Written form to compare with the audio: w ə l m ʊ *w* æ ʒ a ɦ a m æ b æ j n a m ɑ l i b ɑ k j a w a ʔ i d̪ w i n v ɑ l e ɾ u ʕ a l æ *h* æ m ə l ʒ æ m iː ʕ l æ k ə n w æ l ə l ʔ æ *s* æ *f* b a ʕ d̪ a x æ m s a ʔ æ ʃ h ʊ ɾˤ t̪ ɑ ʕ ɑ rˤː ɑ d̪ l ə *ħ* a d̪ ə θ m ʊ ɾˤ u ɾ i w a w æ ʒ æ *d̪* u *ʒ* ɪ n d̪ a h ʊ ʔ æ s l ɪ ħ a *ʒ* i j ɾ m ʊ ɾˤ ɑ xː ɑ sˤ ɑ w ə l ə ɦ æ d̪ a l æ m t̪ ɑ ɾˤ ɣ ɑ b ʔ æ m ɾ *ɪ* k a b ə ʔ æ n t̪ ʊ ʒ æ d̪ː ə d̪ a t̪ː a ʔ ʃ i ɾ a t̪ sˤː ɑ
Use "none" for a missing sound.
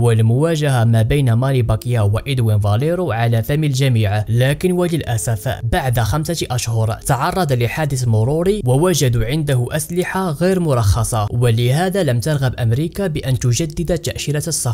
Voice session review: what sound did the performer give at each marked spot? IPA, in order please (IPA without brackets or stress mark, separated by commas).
w, f, s, f, ħ, d̪, ʕ, ɣ, i